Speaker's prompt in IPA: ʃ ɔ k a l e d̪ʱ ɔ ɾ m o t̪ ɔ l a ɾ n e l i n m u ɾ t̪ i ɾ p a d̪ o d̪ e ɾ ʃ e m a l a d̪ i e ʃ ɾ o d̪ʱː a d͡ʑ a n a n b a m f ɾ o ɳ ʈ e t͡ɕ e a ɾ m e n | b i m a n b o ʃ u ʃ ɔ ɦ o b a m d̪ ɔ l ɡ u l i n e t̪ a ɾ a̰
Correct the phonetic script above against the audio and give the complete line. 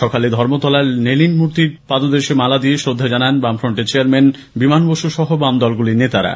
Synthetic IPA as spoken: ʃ ɔ k a l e d̪ʱ ɔ ɾ m o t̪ ɔ l a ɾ n e l i n m u ɾ t̪ i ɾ p a d̪ o d̪ e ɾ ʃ e m a l a d̪ i e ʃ ɾ o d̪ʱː a d͡ʑ a n a n b a m f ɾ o ɳ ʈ e t͡ɕ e a ɾ m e n | b i m a n b o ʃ u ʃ ɔ ɦ o b a m d̪ ɔ l ɡ u l i n e t̪ a ɾ a̰